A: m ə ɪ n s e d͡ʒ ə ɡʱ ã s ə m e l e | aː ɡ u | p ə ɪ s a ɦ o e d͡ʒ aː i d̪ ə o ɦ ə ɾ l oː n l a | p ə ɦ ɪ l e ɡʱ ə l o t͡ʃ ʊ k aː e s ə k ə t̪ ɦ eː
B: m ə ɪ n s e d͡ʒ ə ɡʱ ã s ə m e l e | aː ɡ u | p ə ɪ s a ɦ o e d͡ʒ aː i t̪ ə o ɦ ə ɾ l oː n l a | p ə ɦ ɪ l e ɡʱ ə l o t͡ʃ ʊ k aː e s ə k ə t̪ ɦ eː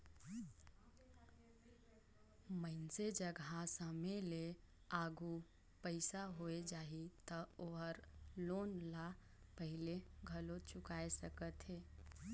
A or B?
B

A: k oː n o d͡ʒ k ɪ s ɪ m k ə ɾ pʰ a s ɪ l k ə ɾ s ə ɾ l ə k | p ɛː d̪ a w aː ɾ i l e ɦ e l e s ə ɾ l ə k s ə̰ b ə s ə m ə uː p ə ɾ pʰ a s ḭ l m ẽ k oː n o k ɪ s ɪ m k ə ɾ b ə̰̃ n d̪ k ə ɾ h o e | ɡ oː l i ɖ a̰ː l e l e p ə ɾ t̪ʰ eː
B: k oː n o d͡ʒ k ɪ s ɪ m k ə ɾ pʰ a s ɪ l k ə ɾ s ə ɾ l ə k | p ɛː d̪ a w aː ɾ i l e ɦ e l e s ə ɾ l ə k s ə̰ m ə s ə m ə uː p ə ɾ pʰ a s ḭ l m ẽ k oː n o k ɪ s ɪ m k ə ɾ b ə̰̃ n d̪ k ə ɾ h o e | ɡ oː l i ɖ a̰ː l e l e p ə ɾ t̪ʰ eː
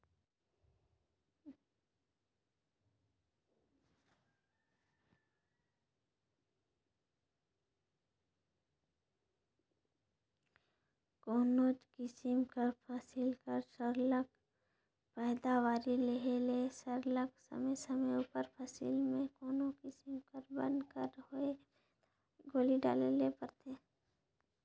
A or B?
B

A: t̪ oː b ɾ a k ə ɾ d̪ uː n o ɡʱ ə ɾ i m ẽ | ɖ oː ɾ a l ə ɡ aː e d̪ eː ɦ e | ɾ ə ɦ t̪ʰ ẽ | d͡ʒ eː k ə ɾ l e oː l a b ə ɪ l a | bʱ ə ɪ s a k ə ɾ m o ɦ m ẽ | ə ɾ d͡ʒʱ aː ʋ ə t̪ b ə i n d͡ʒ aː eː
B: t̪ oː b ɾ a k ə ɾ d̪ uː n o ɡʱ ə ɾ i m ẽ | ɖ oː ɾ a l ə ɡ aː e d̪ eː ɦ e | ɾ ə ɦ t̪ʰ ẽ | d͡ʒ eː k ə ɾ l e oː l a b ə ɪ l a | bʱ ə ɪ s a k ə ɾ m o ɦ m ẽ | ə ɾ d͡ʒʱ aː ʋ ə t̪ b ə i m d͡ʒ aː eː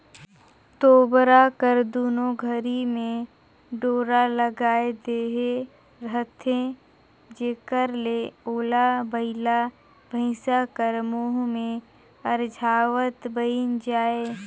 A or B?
A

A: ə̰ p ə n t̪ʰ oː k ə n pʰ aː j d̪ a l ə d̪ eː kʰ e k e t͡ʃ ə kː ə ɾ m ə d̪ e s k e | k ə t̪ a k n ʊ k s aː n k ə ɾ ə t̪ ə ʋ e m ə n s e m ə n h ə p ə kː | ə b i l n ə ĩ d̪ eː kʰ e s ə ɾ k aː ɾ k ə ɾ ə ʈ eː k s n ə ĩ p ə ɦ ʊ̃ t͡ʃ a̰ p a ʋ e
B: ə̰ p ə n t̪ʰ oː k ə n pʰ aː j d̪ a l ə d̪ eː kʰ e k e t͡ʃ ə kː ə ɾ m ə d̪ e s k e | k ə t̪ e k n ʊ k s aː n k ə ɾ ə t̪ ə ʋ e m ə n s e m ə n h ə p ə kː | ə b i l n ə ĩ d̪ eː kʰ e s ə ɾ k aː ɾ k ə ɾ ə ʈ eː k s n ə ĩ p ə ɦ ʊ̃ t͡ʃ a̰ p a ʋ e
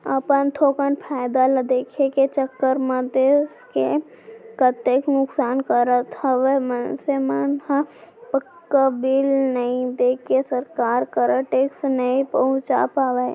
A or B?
B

